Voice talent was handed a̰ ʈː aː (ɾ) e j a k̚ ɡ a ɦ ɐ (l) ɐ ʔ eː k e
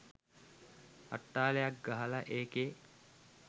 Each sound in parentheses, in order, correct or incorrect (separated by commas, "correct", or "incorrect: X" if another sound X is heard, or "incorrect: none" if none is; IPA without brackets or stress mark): incorrect: l, correct